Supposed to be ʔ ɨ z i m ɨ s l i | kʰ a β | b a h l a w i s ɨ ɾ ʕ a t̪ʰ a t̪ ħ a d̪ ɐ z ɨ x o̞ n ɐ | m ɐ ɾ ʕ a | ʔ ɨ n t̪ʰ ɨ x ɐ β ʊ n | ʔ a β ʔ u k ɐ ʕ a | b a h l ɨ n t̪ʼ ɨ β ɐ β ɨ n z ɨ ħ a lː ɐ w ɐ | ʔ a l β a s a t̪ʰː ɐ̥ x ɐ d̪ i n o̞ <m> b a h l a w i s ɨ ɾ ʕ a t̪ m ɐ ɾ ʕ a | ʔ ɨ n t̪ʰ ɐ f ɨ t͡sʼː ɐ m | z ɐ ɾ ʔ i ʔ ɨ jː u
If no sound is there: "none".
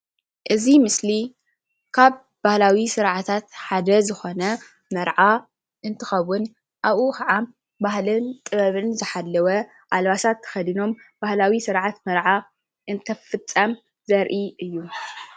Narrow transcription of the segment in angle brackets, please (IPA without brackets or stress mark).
m